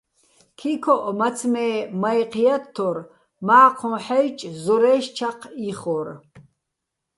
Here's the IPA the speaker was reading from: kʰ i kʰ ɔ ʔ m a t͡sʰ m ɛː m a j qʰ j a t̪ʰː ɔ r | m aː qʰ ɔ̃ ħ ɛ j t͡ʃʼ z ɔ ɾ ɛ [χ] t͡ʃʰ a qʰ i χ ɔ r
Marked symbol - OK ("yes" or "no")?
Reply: no